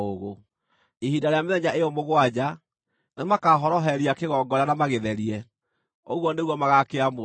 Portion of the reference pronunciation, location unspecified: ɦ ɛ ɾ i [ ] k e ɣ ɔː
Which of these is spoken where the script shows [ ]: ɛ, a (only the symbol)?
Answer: a